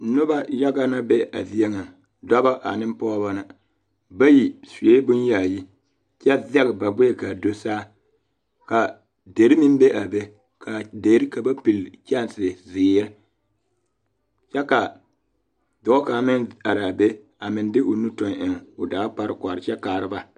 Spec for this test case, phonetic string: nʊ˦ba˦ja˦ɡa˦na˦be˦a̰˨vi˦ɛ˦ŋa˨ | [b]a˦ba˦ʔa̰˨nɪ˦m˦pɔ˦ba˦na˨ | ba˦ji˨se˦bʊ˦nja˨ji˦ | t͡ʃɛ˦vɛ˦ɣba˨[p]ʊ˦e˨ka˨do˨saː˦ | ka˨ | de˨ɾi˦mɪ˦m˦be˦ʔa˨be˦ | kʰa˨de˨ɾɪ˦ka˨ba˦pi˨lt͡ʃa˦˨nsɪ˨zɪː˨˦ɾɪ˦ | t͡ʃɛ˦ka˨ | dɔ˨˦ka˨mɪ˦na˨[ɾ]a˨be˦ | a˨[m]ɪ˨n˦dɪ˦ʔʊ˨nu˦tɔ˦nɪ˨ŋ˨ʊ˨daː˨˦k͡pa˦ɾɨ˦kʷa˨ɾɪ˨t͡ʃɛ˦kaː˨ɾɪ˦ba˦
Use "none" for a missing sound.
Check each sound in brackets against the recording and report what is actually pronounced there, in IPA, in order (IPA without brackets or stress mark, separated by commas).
d, b, ɾ, m